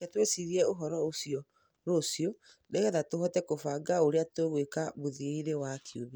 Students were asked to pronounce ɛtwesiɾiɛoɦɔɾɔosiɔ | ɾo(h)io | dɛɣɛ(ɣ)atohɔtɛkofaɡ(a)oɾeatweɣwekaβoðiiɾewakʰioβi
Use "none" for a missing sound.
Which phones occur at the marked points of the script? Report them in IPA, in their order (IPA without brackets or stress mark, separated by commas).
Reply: s, ð, a